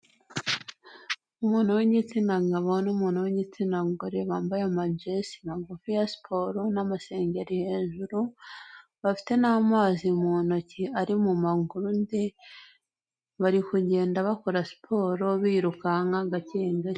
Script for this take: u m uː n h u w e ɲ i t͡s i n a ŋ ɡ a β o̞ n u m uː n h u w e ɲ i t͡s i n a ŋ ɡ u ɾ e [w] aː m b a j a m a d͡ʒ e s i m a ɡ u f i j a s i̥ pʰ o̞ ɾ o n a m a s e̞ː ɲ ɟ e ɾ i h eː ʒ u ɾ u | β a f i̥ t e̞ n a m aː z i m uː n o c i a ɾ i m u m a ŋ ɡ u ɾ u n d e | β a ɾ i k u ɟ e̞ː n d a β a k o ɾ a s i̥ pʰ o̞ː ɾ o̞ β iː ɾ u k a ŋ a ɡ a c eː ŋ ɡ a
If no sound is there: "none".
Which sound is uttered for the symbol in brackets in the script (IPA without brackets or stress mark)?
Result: β